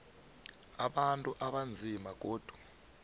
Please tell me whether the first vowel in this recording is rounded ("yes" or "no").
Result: no